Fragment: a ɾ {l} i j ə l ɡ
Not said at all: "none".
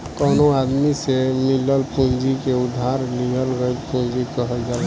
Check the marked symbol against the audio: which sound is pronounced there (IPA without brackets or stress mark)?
l